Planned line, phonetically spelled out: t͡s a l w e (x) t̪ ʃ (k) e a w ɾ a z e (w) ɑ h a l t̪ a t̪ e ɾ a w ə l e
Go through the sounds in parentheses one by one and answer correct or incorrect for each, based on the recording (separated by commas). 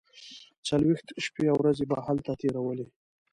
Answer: correct, incorrect, incorrect